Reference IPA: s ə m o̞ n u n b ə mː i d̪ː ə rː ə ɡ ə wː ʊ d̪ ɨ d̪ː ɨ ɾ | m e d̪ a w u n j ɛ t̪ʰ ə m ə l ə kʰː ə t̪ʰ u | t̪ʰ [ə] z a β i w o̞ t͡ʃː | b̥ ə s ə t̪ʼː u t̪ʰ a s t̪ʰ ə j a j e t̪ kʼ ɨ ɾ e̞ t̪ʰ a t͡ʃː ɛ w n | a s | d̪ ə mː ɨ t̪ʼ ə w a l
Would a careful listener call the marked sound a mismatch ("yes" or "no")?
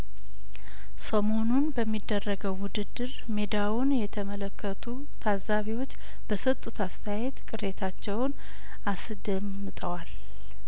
yes